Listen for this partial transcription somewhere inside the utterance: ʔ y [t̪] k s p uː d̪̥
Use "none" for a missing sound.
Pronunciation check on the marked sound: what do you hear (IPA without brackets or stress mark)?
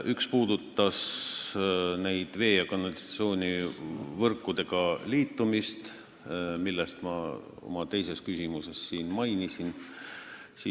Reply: none